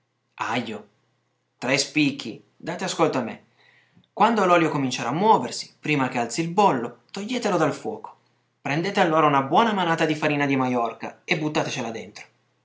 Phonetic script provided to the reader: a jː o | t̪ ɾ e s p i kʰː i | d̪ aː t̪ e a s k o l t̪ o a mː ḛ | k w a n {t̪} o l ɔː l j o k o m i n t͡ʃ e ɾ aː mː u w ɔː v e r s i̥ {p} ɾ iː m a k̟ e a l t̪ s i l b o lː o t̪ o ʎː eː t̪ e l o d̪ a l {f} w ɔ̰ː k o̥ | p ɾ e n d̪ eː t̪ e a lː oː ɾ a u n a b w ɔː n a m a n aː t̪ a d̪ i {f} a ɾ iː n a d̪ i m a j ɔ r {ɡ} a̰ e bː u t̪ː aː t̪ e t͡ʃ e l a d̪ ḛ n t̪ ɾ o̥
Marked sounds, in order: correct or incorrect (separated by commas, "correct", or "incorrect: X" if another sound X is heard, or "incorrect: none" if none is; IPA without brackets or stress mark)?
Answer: incorrect: d̪, correct, correct, correct, incorrect: k